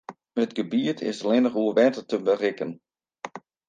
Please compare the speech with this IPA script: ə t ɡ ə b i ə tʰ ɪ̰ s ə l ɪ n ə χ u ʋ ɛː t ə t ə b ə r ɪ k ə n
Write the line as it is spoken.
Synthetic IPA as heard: ə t ɡ ə b i ə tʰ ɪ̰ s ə l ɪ n ə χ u ʋ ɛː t ə t ə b ə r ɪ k ə n